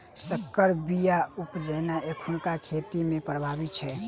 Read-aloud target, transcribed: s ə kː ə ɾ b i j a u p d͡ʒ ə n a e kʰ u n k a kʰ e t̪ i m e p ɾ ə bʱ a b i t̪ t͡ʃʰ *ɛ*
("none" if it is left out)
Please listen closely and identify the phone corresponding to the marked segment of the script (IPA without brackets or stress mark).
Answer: ɛ